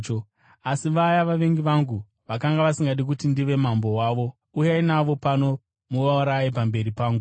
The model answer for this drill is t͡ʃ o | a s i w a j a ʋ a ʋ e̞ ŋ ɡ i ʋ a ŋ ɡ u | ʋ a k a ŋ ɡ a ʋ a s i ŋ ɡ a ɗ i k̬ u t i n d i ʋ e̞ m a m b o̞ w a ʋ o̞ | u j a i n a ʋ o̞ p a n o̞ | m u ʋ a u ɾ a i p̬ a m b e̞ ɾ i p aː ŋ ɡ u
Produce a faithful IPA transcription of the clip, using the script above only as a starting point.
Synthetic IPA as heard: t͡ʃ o | a s i ʋ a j a ʋ a ʋ e̞ ŋ ɡ i ʋ a ŋ ɡ u | ʋ a k a ŋ ɡ a ʋ a s i ŋ ɡ a ɗ i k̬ u t i n d i ʋ e̞ m a m b o̞ w a ʋ o̞ | u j a i n a ʋ o̞ p a n o̞ | m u ʋ a u ɾ a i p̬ a m b e̞ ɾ i p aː ŋ ɡ u